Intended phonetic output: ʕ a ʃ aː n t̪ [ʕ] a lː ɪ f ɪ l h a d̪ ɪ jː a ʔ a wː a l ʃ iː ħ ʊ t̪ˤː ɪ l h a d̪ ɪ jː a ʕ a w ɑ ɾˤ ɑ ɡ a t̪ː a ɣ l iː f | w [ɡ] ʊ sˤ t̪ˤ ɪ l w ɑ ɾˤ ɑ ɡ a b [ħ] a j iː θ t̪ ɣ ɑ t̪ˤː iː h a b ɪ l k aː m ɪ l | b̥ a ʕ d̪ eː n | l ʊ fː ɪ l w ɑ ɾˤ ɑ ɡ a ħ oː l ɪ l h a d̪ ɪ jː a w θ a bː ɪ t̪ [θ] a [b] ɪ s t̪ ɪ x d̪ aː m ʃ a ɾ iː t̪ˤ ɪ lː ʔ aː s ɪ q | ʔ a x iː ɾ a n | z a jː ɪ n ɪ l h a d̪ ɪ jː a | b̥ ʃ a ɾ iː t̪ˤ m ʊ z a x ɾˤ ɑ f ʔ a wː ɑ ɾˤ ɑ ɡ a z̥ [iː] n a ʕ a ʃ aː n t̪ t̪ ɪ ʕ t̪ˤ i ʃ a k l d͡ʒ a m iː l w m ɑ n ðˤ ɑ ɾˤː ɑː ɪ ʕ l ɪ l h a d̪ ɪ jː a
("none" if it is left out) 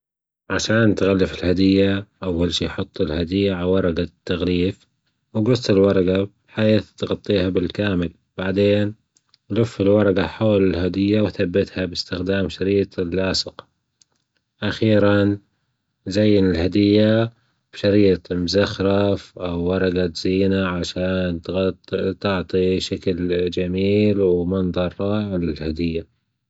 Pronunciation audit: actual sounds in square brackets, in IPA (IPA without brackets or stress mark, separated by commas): ɣ, ɡ, ħ, h, b, iː